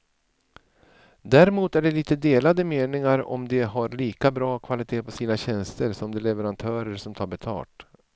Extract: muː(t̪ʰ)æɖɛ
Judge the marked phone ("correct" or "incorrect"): incorrect